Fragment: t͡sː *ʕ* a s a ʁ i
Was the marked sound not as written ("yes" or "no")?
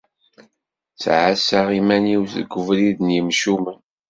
no